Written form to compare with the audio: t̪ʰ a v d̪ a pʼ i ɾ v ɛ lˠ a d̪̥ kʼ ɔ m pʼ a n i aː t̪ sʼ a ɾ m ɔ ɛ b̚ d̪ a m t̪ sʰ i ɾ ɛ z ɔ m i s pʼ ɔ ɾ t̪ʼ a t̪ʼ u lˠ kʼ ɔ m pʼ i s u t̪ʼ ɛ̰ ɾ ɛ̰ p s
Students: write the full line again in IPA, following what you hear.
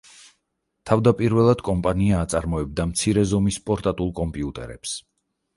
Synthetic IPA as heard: t̪ʰ a v d̪ a pʼ i ɾ v ɛ lˠ a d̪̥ kʼ ɔ m pʼ a n i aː t̪ sʼ a ɾ m ɔ ɛ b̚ d̪ a m t̪ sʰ i ɾ ɛ z ɔ m i s pʼ ɔ ɾ t̪ʼ a t̪ʼ u lˠ kʼ ɔ m pʼ i u t̪ʼ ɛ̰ ɾ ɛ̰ p s